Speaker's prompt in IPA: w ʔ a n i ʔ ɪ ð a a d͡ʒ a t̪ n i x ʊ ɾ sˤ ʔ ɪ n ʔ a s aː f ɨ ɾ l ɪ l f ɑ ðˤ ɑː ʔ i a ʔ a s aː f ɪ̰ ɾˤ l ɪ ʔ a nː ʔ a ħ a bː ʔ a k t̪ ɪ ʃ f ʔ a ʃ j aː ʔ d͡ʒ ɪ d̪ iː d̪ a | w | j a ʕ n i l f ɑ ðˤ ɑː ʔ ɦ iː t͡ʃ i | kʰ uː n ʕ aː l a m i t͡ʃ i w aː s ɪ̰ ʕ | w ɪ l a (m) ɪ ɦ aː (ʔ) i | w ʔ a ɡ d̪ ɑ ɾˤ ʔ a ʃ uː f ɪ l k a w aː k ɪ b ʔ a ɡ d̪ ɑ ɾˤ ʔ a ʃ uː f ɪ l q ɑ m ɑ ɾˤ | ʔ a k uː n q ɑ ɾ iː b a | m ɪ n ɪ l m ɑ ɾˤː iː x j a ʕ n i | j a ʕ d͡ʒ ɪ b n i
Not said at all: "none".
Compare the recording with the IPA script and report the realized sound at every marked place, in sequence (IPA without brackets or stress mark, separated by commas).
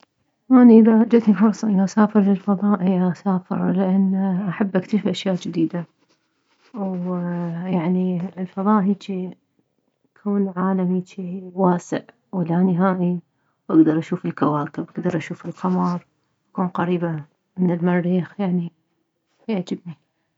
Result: n, ʔ